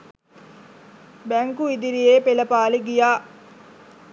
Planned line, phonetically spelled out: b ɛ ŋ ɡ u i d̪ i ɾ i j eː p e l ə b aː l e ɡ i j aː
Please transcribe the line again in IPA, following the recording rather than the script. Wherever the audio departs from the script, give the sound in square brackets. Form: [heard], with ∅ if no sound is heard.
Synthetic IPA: b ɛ ŋ [k] u i d̪ i ɾ i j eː p e l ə [p] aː l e ɡ i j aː